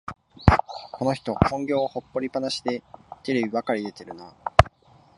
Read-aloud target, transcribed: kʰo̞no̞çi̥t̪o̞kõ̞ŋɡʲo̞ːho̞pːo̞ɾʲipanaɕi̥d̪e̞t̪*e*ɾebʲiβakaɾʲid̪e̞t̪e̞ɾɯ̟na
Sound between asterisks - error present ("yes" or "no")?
no